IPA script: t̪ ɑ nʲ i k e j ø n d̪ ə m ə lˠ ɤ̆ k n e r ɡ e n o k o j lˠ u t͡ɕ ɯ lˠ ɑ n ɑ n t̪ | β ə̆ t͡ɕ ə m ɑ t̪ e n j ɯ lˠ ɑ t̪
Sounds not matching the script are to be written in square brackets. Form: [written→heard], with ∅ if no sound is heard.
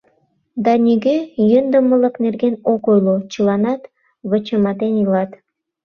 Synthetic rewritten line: [t̪→d̪] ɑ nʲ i [k→ɡ] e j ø n d̪ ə m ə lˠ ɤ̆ k n e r ɡ e n o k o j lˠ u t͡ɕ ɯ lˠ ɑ n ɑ [n→∅] t̪ | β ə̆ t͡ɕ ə m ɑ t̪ e n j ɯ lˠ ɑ t̪